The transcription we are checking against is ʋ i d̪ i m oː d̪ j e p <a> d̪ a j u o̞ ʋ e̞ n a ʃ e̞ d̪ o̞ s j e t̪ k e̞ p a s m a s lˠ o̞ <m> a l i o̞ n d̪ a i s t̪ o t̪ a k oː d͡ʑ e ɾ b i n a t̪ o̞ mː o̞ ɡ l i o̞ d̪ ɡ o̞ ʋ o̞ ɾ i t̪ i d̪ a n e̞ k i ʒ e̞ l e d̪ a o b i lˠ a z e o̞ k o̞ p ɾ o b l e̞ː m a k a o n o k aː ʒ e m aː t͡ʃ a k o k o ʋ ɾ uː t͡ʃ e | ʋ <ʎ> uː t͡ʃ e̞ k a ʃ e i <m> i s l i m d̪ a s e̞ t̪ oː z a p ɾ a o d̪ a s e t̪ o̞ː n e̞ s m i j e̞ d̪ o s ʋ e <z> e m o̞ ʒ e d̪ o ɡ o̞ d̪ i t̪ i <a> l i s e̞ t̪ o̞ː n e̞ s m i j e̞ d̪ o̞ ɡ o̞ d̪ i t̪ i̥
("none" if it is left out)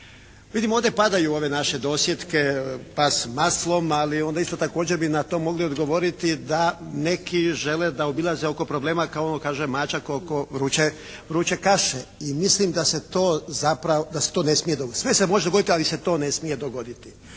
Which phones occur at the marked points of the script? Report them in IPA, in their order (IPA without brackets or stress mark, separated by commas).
a, m, ɾ, m, s, a